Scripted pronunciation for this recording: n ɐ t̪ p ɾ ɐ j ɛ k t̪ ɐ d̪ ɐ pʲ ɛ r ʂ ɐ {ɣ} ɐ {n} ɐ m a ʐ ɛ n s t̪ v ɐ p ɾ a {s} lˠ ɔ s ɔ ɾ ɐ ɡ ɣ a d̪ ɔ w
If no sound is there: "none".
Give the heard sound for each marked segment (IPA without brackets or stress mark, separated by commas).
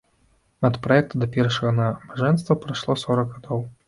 ɣ, n, ʂ